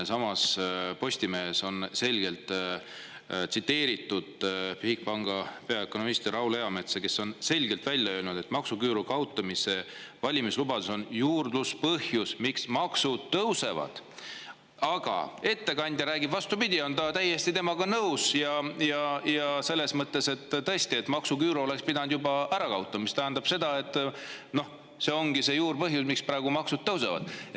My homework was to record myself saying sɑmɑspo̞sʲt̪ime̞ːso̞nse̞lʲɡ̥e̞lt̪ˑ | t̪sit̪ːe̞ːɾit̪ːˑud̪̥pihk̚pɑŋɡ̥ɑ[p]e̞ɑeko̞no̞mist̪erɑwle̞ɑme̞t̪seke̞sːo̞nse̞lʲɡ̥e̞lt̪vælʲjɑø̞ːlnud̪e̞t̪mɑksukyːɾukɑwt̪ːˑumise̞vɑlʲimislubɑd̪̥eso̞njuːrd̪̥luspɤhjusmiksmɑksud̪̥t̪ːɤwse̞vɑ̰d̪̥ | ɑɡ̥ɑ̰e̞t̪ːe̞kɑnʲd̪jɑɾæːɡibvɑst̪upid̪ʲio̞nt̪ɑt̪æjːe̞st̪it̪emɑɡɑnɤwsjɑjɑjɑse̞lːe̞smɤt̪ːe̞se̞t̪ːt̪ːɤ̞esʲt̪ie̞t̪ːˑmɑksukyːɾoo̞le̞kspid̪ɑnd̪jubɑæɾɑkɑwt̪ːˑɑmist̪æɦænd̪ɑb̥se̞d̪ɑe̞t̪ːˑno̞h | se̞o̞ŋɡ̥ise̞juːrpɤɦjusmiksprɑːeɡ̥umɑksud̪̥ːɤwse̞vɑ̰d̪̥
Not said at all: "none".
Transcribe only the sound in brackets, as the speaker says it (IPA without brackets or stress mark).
p